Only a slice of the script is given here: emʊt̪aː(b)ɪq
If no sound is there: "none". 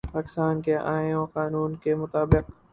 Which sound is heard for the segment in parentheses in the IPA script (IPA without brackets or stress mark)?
b